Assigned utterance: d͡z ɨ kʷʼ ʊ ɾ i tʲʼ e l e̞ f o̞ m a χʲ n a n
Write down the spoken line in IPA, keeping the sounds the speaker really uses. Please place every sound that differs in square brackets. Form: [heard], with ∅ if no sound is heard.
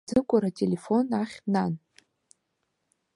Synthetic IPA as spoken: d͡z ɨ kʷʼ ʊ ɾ [a] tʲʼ e l e̞ f o̞ [n] a χʲ n a n